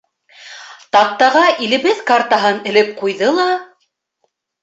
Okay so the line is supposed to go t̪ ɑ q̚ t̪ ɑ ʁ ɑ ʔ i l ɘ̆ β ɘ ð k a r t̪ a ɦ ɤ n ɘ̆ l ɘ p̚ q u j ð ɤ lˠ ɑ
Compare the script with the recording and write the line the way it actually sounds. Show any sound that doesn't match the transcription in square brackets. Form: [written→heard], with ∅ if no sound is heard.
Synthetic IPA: t̪ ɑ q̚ t̪ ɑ ʁ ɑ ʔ i l ɘ̆ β ɘ ð k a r t̪ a ɦ ɤ n ɘ̆ l ɘ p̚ q u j ð ɤ lˠ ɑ